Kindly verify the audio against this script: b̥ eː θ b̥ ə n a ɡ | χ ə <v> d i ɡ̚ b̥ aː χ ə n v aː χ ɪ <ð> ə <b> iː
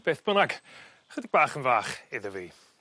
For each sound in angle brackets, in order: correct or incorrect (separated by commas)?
incorrect, correct, incorrect